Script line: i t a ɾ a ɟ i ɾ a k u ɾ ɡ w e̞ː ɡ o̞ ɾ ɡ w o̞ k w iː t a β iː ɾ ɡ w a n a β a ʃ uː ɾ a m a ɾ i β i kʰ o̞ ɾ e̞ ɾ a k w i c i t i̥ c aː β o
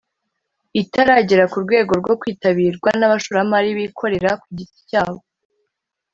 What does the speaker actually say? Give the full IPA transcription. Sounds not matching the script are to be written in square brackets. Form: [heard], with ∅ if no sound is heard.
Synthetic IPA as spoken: i t a ɾ a ɟ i ɾ a k u ɾ ɡ w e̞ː ɡ o̞ ɾ ɡ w o̞ k w iː t a β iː ɾ ɡ w a n a β a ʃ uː ɾ a m a ɾ i β i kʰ o̞ ɾ e̞ ɾ a k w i [ɟ] i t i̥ c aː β o